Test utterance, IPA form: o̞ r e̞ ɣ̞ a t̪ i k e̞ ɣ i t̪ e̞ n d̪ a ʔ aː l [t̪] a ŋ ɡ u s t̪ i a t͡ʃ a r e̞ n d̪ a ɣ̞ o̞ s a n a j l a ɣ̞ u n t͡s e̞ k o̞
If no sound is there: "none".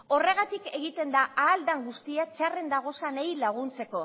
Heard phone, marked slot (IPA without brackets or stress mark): d̪